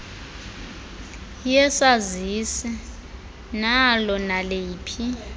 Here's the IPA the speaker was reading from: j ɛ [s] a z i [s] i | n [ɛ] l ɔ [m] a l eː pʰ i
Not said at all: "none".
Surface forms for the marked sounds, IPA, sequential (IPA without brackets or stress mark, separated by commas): s, s, a, n